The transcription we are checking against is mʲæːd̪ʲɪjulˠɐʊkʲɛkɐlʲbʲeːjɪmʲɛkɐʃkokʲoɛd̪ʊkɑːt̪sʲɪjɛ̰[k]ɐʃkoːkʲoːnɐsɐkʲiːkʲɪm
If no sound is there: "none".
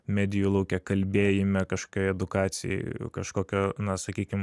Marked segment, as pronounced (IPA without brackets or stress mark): k